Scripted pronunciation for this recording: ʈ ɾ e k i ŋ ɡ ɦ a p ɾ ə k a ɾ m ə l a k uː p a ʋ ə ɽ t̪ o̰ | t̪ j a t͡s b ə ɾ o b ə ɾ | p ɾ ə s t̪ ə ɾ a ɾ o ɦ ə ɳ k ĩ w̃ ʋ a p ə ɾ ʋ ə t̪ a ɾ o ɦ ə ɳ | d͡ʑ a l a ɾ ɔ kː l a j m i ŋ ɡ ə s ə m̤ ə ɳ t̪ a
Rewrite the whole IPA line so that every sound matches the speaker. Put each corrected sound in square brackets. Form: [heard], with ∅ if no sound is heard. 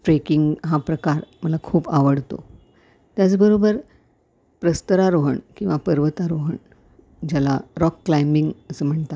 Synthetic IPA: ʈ ɾ e k i ŋ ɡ ɦ a p ɾ ə k a ɾ m ə l a [kʰ] uː p a ʋ ə ɽ t̪ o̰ | t̪ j a t͡s b ə ɾ o b ə ɾ | p ɾ ə s t̪ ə ɾ a ɾ o ɦ ə ɳ k ĩ w̃ ʋ a p ə ɾ ʋ ə t̪ a ɾ o ɦ ə ɳ | d͡ʑ a l a ɾ ɔ kː l a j m i ŋ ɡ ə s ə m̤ ə ɳ t̪ a